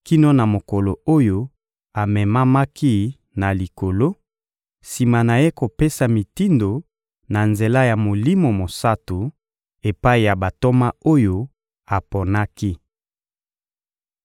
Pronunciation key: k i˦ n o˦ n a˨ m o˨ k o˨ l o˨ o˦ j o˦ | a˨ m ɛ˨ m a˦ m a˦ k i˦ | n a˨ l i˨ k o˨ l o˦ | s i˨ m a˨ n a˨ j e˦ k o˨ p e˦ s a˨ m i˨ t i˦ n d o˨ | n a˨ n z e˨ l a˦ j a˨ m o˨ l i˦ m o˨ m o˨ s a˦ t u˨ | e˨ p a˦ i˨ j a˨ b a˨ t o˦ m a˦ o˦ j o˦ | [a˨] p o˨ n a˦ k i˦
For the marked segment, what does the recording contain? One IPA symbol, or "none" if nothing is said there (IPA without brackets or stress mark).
a˨